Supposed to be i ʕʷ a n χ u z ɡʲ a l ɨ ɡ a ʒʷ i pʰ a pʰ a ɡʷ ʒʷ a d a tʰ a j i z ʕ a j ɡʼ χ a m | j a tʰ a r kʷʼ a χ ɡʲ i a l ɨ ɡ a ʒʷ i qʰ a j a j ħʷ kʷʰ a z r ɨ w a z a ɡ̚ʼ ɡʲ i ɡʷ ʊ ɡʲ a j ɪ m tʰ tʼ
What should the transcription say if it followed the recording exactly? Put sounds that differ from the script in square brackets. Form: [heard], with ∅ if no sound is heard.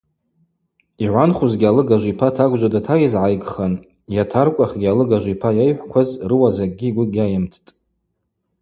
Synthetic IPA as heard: i ʕʷ a n χ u z ɡʲ a l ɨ ɡ a ʒʷ i pʰ a [tʰ] a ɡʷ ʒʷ a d a tʰ a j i z ʕ a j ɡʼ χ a [n] | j a tʰ a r kʷʼ a χ ɡʲ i a l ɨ ɡ a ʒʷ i [pʰ] a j a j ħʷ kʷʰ a z r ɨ w a z a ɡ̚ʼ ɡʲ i ɡʷ ʊ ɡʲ a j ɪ m tʰ tʼ